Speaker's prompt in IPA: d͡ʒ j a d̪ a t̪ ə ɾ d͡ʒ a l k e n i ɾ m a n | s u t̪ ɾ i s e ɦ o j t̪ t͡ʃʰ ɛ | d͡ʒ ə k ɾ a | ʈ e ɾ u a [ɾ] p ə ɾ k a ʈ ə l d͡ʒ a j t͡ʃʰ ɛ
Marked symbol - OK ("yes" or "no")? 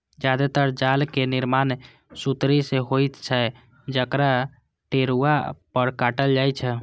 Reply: no